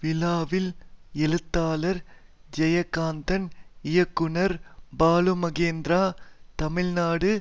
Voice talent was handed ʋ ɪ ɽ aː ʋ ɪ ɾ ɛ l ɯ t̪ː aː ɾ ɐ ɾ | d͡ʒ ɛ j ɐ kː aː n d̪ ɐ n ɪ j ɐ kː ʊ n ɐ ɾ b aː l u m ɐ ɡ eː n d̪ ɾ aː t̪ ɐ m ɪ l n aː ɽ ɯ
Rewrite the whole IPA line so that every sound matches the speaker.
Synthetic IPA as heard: ʋ ɪ l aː ʋ ɪ l ɛ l ɯ t̪ː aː l ɐ ɾ | d͡ʒ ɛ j ɐ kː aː n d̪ ɐ n ɪ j ɐ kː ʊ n ɐ ɾ b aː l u m ɐ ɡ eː n d̪ ɾ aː t̪ ɐ m ɪ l n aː ɽ ɯ